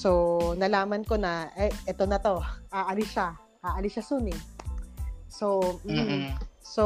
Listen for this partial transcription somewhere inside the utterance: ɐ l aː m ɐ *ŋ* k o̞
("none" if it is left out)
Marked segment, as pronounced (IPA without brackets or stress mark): n